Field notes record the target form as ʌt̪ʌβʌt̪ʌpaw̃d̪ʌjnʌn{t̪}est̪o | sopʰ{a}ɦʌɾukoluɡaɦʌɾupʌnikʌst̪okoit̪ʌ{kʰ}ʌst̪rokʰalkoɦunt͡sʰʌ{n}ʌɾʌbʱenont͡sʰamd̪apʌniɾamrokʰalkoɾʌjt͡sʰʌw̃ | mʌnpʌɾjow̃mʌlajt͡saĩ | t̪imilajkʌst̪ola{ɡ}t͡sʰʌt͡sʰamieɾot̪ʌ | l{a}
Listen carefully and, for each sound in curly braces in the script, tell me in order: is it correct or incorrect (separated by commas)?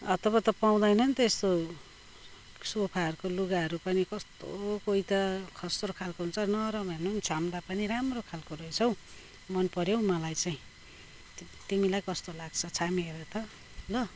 correct, correct, correct, correct, correct, incorrect